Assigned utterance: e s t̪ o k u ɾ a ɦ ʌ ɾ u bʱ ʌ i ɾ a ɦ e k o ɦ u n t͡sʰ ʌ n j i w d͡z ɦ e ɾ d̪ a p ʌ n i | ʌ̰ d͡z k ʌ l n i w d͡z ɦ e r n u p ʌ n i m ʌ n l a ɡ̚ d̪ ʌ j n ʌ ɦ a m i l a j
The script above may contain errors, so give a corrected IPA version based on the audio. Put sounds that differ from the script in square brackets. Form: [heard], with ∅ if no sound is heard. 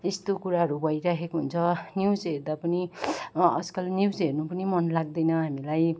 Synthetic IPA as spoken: e s t̪ o k u ɾ a ɦ ʌ ɾ u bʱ ʌ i ɾ a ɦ e k o ɦ u n t͡sʰ ʌ n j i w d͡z ɦ e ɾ d̪ a p ʌ n i | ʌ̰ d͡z k ʌ l n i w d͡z ɦ e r n u p ʌ n i m ʌ n l a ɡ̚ d̪ ʌ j n ʌ ɦ a m i l a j